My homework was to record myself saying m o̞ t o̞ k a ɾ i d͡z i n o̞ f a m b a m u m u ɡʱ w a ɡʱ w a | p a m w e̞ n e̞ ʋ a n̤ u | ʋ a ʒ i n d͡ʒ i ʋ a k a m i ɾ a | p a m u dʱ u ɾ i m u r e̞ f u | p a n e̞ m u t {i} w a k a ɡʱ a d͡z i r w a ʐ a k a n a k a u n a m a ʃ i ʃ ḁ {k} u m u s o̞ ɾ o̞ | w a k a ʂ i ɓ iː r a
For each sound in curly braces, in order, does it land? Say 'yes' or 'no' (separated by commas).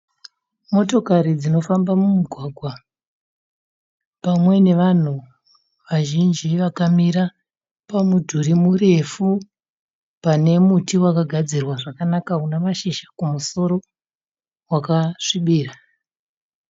yes, yes